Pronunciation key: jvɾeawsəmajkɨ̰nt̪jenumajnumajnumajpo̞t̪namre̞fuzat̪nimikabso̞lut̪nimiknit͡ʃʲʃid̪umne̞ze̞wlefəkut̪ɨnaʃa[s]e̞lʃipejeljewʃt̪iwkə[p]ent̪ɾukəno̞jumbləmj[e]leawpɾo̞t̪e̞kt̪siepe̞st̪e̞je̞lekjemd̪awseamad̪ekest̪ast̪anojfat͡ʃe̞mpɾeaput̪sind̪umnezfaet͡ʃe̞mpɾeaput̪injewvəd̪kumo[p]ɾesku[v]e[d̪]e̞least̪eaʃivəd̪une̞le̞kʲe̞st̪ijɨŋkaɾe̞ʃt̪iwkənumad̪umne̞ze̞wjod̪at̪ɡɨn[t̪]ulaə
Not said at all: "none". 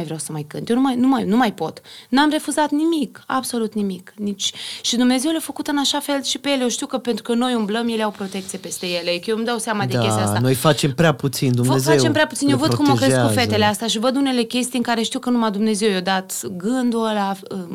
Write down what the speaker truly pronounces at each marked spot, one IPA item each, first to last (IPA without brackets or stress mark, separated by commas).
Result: f, p, e, k, f, t̪, d̪